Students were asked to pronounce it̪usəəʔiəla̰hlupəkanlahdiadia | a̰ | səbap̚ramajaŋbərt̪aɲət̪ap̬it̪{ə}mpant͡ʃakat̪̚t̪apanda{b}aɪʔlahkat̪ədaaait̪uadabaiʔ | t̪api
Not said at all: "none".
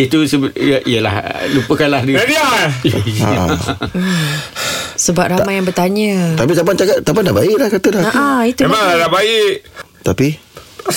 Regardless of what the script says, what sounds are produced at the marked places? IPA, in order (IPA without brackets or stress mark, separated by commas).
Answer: a, b